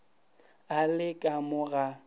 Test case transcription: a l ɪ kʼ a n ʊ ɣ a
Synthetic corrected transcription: a l ɪ kʼ a m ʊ ɣ a

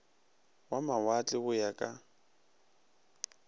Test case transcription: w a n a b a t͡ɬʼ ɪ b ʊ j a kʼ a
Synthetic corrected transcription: w a m a w a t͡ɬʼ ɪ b ʊ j a kʼ a

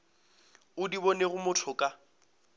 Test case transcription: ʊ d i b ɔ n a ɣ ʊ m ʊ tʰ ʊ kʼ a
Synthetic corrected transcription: ʊ d i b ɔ n e ɣ ʊ m ʊ tʰ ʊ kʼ a

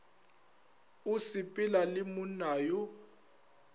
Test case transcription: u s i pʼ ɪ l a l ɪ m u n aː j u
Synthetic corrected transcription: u s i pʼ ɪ l a l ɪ m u n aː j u

